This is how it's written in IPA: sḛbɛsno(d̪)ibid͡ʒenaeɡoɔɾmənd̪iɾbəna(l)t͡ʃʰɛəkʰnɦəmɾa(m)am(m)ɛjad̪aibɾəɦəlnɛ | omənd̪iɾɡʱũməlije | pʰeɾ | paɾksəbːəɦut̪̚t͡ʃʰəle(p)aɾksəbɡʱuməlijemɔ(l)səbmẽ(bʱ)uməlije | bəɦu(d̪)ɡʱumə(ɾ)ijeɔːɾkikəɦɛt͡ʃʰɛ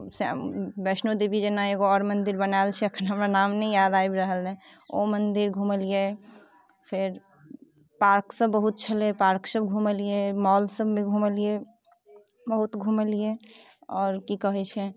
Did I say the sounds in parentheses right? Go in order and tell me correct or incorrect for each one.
correct, correct, incorrect: n, incorrect: n, correct, correct, incorrect: ɡʱ, incorrect: t̪, incorrect: l

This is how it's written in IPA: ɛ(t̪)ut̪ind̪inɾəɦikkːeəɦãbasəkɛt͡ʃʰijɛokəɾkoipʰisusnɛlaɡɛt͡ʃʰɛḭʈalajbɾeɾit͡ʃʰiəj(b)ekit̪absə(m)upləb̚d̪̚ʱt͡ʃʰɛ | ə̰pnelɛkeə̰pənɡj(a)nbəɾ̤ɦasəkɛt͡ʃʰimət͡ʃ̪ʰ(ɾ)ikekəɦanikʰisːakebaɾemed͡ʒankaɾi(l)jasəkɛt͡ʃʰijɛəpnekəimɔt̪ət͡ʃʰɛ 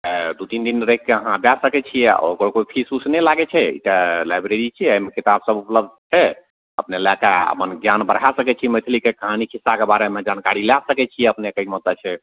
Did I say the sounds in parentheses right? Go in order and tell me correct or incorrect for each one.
incorrect: d̪, incorrect: m, incorrect: b, correct, incorrect: l, correct

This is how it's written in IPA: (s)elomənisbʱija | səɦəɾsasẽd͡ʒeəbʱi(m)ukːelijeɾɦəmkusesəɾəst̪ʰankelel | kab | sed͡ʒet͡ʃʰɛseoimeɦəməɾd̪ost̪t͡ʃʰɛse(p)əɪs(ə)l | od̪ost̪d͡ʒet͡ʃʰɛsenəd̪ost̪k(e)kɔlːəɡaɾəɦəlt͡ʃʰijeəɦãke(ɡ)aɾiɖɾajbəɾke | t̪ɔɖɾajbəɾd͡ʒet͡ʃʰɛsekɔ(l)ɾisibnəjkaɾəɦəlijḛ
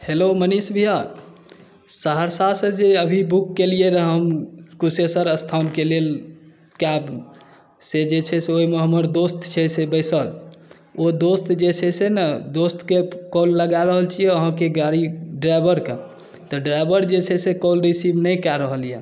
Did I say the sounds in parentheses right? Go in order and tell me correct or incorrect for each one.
incorrect: h, incorrect: b, incorrect: b, correct, correct, correct, correct

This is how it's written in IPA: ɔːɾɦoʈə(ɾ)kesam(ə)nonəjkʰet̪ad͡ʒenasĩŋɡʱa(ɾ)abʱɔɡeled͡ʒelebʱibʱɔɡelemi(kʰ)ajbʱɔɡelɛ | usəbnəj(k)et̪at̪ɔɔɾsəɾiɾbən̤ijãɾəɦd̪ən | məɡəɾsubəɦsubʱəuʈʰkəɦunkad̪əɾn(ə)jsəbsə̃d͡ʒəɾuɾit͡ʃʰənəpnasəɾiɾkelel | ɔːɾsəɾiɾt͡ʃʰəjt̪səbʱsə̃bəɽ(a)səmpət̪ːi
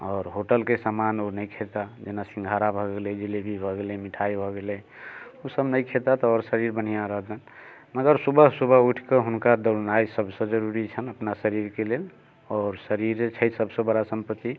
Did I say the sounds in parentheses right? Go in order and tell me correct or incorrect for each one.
incorrect: l, incorrect: a, correct, incorrect: ʈʰ, incorrect: kʰ, incorrect: a, correct

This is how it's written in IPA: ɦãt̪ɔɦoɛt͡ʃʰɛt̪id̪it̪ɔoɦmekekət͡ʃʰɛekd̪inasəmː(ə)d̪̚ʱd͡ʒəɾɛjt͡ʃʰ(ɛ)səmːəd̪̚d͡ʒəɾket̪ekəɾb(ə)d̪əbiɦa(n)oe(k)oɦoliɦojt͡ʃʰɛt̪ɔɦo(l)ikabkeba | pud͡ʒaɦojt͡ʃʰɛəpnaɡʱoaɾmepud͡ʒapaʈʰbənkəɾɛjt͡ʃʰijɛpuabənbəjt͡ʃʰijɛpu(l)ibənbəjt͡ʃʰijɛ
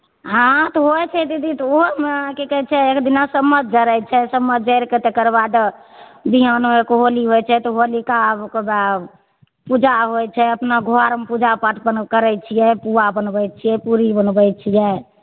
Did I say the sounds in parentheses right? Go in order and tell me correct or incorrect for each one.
correct, correct, incorrect: a, correct, correct, correct, incorrect: ɾ

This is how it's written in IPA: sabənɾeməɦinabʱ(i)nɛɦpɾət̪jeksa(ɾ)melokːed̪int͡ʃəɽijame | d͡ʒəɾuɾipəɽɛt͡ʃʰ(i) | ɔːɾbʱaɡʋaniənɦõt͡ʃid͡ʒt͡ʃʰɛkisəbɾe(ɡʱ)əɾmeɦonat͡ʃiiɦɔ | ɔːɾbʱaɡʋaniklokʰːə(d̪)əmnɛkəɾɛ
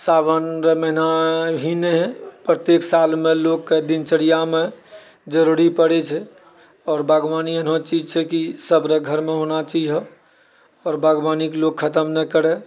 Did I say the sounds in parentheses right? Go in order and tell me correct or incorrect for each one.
correct, incorrect: l, incorrect: ɛ, correct, incorrect: t̪

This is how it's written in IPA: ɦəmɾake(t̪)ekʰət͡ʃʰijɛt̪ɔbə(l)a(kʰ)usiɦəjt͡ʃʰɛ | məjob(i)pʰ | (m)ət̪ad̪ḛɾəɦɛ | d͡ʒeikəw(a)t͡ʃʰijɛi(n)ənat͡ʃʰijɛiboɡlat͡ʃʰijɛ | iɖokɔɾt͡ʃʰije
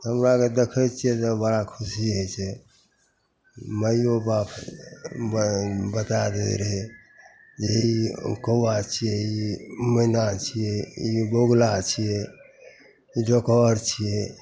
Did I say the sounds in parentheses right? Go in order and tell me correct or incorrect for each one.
incorrect: d̪, incorrect: ɽ, correct, incorrect: a, incorrect: b, correct, incorrect: m

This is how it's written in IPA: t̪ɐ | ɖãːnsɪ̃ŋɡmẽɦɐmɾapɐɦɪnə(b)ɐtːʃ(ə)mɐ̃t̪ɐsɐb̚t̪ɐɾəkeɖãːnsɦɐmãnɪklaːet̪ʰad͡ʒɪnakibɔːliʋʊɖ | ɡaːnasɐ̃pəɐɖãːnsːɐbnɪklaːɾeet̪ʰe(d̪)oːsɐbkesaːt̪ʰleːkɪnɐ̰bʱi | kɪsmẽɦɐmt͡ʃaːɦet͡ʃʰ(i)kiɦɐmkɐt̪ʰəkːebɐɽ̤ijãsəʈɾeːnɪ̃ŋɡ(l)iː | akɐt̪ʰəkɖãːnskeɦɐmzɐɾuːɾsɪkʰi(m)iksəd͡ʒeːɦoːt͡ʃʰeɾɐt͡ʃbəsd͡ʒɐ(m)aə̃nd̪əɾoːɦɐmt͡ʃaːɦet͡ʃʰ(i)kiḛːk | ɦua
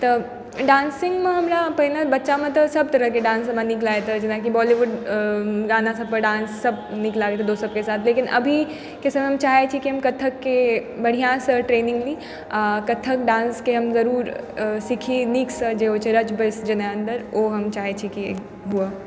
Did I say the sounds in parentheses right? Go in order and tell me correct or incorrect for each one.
correct, incorrect: a, correct, correct, correct, incorrect: n, incorrect: n, correct

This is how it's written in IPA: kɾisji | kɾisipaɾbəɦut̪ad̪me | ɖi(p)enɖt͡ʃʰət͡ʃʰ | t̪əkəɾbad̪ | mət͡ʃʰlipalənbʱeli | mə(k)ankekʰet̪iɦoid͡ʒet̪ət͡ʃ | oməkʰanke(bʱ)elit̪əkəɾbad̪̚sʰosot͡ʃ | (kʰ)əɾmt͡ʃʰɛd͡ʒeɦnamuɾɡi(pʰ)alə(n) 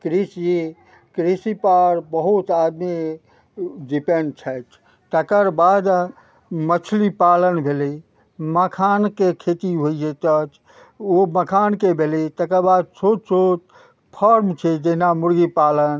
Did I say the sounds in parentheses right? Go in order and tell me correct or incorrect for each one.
correct, incorrect: kʰ, correct, incorrect: pʰ, incorrect: p, correct

